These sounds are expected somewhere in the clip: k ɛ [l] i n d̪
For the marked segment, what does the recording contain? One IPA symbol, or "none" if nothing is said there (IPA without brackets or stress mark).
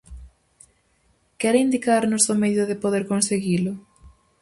ɾ